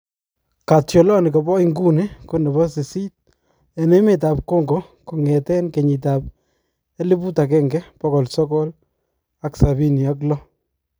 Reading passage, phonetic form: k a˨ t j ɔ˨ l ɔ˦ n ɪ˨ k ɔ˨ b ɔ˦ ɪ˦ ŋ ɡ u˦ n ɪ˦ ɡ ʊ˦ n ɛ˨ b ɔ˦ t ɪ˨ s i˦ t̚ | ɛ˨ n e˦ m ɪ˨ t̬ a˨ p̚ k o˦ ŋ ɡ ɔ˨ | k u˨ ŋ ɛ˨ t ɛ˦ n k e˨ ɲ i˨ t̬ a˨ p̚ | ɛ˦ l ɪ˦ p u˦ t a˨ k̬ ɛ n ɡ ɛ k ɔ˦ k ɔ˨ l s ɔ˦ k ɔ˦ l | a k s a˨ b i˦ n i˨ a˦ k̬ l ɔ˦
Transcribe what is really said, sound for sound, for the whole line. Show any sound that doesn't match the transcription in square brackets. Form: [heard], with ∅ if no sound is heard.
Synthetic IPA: k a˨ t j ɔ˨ l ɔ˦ n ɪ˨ k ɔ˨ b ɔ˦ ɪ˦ ŋ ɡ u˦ n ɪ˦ [k] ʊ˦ n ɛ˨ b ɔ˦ [s] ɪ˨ s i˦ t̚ | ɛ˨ n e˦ m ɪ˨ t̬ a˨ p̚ k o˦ ŋ ɡ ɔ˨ | k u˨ ŋ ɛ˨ t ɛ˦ n k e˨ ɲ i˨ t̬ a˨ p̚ | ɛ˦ l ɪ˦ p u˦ t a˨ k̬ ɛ [ŋ] ɡ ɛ [p] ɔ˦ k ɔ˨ l s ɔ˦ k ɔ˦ l | a k s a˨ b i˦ n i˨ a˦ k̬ l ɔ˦